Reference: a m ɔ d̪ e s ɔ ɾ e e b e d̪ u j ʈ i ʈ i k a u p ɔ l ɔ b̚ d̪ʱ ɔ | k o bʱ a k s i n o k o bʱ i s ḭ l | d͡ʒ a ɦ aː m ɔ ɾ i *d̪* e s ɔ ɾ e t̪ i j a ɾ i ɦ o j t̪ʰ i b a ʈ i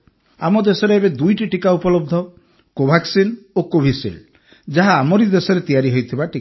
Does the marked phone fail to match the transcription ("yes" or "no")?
no